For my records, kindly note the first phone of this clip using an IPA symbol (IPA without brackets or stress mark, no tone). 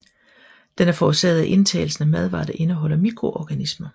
d̥